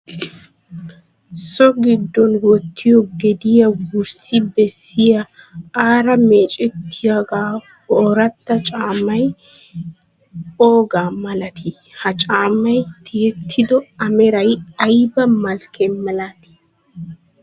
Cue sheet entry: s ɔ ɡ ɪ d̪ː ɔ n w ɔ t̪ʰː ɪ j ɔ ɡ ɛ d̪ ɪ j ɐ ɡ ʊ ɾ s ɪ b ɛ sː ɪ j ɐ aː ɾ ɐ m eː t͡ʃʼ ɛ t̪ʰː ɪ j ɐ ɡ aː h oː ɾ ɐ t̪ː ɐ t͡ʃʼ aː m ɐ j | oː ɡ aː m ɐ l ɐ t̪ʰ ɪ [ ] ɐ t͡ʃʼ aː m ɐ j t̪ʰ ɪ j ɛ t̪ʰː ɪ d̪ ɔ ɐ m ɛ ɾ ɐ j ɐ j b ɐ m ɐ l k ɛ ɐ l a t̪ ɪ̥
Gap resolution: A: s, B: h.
B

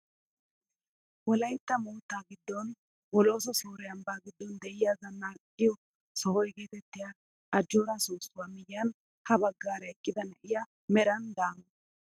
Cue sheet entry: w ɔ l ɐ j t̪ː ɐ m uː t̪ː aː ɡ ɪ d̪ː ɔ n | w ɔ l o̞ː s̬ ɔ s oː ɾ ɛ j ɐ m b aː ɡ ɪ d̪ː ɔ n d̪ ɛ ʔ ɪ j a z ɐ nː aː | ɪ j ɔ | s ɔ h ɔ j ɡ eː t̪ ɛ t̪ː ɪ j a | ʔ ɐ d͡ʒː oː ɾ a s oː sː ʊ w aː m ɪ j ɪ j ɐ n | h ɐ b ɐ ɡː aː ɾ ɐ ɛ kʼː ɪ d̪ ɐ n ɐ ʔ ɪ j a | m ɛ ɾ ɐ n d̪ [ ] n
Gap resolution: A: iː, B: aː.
B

